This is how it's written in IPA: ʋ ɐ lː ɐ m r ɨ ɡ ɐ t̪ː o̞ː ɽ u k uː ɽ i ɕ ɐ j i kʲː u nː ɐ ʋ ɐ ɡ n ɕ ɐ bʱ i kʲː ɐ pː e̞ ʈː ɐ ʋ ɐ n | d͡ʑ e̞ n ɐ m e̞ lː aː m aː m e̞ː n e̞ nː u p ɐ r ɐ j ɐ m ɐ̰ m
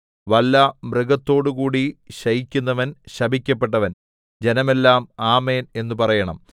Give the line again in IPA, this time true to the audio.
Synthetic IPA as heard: ʋ ɐ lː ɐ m r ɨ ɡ ɐ t̪ː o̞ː ɽ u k uː ɽ i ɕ ɐ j i kʲː u nː ɐ ʋ ɐ n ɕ ɐ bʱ i kʲː ɐ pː e̞ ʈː ɐ ʋ ɐ n | d͡ʑ e̞ n ɐ m e̞ lː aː m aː m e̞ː n e̞ nː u p ɐ r ɐ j ɐ ɳ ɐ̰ m